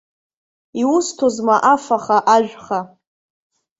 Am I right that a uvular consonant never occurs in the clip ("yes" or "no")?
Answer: no